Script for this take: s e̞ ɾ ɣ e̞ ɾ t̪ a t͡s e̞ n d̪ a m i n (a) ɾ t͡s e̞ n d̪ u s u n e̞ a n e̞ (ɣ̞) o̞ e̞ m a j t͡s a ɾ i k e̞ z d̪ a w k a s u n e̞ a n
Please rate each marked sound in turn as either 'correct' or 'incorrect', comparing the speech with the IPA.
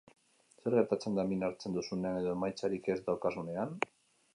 correct, incorrect

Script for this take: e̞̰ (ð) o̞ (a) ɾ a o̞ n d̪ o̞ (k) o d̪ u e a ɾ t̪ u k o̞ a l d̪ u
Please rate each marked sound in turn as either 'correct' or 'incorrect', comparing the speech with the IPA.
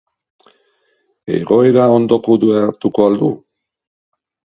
incorrect, incorrect, correct

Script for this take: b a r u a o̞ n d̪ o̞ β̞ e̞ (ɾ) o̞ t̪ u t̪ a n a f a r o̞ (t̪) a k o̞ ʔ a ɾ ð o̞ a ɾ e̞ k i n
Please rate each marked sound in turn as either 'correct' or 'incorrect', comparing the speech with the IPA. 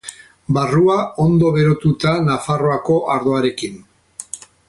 correct, incorrect

